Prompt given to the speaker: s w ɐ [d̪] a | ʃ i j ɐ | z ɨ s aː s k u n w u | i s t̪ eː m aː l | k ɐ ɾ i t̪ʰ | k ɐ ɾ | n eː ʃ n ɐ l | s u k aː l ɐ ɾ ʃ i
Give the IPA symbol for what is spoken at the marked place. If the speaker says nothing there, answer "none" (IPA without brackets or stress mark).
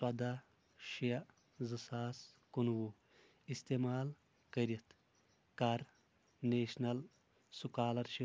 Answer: d̪